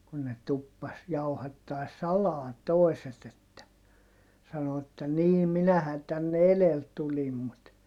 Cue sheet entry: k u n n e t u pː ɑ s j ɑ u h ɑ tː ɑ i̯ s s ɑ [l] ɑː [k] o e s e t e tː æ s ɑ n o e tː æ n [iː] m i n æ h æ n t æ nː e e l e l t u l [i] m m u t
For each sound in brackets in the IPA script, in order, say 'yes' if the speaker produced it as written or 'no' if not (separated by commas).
yes, no, yes, yes